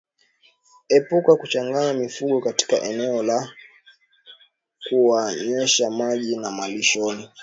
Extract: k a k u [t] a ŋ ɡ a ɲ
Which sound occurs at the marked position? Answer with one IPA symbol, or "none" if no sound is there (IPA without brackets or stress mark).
t͡ʃ